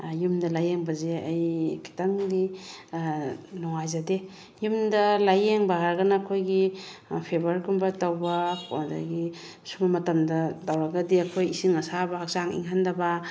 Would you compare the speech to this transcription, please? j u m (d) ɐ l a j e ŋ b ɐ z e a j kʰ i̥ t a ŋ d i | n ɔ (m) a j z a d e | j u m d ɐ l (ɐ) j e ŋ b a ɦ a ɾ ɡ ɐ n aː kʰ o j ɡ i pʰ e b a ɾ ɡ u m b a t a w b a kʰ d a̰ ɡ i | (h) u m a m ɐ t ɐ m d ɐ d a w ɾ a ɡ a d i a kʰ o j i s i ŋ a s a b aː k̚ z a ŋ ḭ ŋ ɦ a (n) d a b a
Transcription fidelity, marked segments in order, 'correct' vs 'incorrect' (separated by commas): correct, incorrect, incorrect, incorrect, correct